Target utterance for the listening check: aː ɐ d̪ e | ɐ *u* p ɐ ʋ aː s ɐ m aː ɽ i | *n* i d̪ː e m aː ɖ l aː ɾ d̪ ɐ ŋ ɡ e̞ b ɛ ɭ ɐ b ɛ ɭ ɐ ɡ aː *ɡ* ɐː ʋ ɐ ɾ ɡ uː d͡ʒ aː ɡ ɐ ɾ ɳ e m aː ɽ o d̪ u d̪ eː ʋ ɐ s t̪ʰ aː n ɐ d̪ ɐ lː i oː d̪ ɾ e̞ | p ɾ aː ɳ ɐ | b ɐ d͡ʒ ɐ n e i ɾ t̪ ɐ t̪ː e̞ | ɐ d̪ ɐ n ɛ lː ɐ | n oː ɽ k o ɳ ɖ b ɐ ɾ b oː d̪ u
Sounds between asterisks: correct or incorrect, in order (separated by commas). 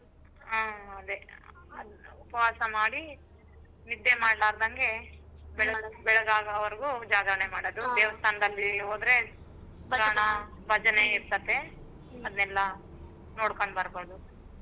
correct, correct, correct